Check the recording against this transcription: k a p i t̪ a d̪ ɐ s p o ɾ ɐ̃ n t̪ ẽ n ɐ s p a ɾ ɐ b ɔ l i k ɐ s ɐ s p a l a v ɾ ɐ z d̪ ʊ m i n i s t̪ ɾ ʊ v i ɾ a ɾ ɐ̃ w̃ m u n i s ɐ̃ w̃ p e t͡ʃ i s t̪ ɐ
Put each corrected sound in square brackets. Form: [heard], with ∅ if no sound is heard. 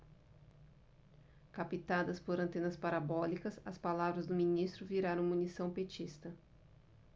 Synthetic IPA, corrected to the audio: k a p i t̪ a d̪ ɐ s p o ɾ ɐ̃ n t̪ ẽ n ɐ s p a ɾ [a] b ɔ l i k ɐ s ɐ s p a l a v ɾ ɐ z d̪ ʊ m i n i s t̪ ɾ ʊ v i ɾ a ɾ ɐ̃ w̃ m u n i s ɐ̃ w̃ p e t͡ʃ i s t̪ ɐ